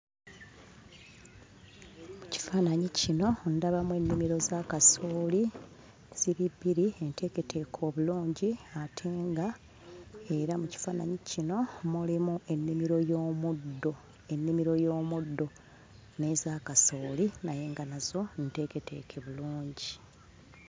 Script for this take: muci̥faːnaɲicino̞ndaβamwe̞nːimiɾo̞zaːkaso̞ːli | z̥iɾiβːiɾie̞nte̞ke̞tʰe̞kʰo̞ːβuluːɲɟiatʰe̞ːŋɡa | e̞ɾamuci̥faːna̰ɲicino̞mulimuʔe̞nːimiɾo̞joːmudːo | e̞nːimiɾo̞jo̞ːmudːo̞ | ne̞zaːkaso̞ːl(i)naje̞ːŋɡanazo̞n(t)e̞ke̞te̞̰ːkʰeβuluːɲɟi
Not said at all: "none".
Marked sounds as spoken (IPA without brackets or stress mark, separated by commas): i, t